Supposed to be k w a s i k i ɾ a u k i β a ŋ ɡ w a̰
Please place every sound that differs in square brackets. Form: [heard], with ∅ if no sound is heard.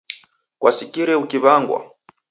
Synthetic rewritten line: k w a s i k i ɾ [ɛ] u k i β a ŋ ɡ w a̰